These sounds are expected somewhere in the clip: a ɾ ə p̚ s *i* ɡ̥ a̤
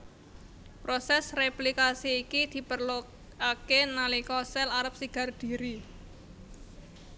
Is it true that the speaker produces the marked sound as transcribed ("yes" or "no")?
yes